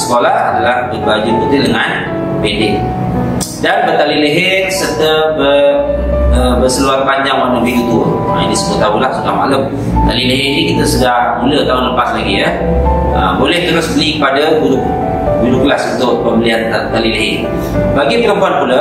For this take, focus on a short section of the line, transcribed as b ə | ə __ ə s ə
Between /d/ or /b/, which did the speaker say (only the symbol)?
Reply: b